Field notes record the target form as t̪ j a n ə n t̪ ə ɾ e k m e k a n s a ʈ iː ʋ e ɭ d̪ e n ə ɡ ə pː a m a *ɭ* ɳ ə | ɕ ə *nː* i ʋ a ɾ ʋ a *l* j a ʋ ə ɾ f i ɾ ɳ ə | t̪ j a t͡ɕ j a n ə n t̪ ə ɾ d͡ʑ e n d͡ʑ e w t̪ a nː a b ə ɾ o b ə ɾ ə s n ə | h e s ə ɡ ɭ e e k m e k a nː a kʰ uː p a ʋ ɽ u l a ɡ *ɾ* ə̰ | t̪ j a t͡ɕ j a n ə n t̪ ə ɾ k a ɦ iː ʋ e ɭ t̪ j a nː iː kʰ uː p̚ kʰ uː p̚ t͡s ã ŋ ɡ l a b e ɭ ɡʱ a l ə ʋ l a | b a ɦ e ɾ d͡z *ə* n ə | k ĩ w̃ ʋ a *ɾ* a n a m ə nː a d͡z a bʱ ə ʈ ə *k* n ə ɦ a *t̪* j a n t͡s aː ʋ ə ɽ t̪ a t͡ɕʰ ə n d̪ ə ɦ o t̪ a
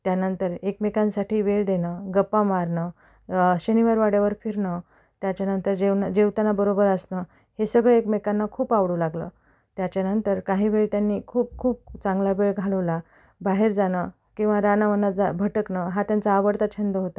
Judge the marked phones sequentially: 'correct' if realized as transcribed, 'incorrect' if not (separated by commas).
incorrect, incorrect, incorrect, incorrect, incorrect, correct, correct, correct